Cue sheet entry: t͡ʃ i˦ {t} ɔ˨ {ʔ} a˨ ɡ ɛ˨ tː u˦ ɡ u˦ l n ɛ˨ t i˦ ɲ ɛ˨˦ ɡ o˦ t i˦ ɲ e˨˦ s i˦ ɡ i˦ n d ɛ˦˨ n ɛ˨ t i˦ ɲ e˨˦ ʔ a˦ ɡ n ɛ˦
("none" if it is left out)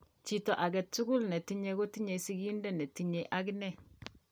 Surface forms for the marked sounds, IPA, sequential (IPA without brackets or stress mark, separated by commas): t, ʔ